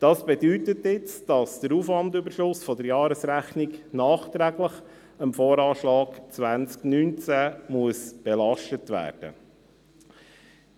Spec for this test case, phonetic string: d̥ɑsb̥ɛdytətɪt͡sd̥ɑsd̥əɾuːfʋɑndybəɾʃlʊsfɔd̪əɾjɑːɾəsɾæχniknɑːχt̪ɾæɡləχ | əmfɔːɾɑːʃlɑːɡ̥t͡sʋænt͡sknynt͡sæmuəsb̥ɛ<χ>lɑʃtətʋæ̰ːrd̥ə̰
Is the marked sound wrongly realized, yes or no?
yes